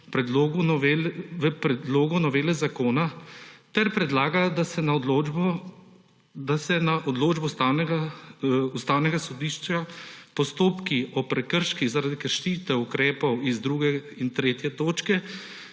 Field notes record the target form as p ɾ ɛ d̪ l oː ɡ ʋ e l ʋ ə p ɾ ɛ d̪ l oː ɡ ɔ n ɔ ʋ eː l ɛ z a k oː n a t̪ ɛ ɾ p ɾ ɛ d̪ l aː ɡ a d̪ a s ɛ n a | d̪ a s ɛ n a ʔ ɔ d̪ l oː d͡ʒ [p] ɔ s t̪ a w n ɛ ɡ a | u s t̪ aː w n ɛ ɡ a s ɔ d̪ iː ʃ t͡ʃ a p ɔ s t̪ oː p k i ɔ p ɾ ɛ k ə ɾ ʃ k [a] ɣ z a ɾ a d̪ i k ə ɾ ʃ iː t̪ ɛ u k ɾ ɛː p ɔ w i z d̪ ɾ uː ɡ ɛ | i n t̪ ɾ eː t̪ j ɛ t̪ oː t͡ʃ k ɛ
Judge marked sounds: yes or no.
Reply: no, no

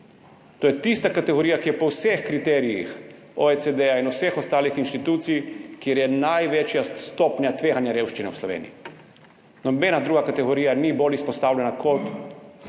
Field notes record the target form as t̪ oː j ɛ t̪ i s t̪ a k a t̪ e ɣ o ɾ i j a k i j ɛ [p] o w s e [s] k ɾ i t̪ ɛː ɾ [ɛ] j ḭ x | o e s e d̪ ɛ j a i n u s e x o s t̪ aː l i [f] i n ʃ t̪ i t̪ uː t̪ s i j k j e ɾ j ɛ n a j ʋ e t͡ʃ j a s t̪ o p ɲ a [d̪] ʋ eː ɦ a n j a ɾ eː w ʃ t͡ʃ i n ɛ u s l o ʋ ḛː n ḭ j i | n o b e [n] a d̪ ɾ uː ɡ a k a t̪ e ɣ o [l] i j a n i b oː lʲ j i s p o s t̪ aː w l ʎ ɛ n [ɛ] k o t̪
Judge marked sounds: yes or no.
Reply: yes, no, no, no, no, yes, no, no

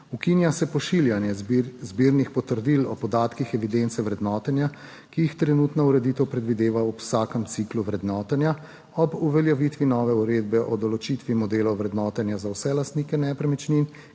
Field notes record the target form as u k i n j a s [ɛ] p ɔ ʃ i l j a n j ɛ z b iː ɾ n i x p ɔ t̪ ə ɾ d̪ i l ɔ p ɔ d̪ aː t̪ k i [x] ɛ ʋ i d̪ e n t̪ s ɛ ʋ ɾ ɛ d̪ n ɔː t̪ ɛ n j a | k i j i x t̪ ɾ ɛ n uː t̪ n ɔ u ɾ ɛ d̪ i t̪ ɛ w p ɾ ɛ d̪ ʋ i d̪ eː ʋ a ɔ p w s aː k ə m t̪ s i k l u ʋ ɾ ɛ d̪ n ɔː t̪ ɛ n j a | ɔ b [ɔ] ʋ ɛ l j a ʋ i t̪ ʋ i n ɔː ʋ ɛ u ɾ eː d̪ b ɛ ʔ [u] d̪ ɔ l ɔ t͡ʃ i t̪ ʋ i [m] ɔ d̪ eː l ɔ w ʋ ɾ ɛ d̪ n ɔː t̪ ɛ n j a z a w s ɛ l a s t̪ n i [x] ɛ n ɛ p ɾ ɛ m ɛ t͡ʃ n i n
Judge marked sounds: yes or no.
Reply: yes, yes, no, no, yes, no

